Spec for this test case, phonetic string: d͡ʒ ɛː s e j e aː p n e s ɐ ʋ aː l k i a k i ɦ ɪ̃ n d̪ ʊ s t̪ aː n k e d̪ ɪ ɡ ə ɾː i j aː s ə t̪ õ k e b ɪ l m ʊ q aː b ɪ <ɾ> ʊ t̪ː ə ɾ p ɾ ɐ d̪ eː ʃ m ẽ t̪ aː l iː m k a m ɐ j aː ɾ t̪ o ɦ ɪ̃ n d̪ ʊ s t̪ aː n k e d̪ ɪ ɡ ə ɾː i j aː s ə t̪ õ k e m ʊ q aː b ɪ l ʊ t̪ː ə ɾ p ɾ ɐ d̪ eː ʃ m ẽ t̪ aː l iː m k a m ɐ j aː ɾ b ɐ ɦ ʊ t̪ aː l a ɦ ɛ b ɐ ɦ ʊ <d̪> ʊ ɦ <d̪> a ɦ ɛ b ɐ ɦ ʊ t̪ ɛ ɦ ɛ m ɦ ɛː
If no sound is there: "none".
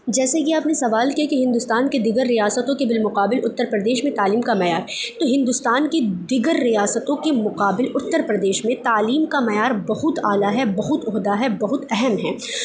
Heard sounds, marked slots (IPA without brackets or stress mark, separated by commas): l, t̪, d̪